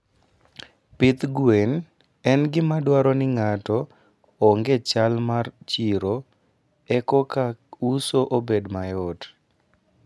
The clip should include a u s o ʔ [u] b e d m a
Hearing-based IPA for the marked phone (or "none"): o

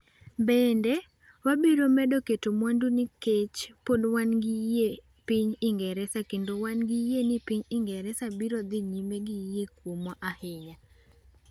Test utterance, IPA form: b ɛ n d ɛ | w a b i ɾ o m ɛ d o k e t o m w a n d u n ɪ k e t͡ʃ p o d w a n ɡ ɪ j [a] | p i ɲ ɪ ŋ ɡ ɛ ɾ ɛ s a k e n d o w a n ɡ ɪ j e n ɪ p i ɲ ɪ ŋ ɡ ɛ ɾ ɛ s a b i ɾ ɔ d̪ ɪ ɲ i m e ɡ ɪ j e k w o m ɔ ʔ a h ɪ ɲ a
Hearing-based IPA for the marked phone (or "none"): e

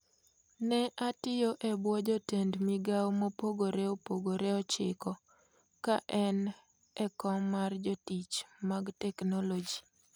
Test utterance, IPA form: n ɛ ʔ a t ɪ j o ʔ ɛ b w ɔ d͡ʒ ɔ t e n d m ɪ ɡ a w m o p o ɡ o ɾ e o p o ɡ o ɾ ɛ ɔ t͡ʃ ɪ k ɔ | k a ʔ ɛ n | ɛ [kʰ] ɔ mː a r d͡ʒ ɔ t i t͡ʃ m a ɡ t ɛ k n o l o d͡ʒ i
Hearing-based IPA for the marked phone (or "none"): k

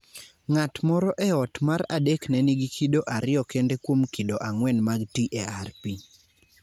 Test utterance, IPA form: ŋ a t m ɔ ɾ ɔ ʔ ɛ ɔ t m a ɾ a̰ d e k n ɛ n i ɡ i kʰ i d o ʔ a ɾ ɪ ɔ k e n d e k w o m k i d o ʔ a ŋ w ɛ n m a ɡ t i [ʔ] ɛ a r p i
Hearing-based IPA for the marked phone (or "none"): ʔ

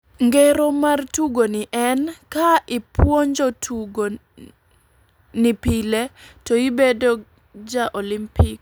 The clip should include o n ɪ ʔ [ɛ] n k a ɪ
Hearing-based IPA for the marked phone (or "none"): ɛ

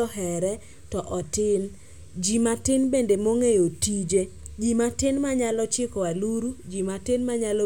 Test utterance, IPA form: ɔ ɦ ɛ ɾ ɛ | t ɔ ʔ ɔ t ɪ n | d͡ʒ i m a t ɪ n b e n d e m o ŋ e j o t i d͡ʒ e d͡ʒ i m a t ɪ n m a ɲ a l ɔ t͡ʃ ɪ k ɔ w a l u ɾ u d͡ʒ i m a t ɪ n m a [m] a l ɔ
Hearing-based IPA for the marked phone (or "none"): ɲ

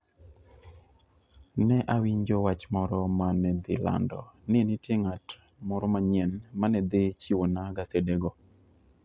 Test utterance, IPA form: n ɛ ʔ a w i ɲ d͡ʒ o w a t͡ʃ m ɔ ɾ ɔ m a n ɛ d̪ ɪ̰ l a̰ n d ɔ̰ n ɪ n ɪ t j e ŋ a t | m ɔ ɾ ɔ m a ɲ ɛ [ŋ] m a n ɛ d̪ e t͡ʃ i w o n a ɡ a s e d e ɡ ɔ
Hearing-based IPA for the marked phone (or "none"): n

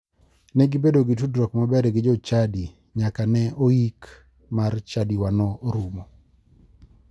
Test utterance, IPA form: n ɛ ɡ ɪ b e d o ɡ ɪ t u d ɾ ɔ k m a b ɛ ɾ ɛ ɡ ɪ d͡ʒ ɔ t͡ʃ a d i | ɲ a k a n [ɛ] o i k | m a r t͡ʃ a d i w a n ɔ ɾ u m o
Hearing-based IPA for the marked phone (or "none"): ɛ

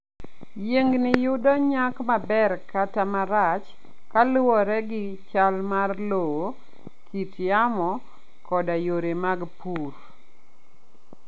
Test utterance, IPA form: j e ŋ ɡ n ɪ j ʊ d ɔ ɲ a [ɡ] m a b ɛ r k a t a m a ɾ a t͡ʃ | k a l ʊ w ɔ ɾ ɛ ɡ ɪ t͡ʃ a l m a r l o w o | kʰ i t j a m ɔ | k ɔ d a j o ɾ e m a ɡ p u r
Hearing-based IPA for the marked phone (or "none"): k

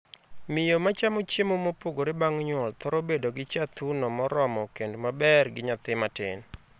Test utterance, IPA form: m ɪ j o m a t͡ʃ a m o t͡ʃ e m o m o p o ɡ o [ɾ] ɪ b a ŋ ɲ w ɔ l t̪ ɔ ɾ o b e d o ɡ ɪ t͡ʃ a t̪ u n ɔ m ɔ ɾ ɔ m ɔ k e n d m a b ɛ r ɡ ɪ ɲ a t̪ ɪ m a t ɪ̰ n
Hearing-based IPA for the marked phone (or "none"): ɾ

